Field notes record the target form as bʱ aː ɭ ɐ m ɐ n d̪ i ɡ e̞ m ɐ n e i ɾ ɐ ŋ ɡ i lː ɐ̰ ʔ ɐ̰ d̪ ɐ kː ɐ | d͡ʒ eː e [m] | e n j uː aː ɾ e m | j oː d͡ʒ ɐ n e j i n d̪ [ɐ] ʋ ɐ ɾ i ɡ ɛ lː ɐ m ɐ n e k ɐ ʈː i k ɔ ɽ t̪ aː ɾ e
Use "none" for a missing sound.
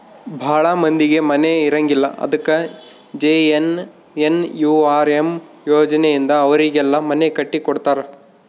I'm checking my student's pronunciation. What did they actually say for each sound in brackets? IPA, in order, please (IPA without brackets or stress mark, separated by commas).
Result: n, ɐː